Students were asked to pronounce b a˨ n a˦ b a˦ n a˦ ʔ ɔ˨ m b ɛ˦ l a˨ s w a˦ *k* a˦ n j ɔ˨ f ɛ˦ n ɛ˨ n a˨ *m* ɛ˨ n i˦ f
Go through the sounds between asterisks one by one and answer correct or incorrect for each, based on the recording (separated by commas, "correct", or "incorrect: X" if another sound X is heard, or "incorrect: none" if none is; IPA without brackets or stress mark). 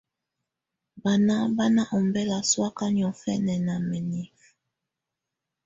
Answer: correct, correct